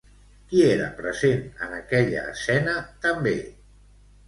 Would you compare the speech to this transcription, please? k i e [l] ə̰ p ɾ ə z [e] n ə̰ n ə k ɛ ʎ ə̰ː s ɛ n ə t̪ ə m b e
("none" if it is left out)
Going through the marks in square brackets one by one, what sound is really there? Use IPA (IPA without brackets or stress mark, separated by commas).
ɾ, e